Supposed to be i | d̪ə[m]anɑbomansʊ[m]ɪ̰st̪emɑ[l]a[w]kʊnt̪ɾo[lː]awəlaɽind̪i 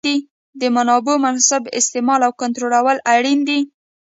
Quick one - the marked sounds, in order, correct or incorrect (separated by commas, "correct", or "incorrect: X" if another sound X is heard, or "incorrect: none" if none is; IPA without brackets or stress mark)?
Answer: correct, incorrect: b, correct, correct, incorrect: l